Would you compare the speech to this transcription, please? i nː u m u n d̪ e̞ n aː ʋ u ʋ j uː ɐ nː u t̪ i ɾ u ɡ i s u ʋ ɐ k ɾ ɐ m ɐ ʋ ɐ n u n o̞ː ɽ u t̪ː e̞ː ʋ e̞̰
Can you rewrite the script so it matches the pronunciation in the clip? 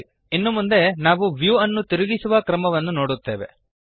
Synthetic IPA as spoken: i nː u m u n d̪ e̞ n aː ʋ u ʋ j uː ɐ nː u t̪ i ɾ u ɡ i s u ʋ ɐ k ɾ ɐ m ɐ ʋ ɐ nː u n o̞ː ɽ u t̪ː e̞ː ʋ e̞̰